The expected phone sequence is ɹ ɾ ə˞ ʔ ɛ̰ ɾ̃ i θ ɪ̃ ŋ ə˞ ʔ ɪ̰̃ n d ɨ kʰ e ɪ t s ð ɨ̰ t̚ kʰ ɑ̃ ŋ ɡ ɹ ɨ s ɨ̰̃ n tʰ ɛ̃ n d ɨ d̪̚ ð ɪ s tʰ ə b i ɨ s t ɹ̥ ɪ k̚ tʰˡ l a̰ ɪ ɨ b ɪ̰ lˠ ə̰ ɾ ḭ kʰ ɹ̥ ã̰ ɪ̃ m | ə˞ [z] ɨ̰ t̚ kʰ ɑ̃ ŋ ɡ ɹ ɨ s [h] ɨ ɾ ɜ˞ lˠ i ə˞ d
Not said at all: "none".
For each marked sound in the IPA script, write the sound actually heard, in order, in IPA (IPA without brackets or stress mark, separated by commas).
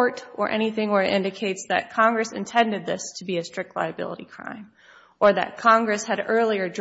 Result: ð, h